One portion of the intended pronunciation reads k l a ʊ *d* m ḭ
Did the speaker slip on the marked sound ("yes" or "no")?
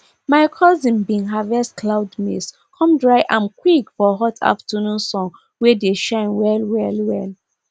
no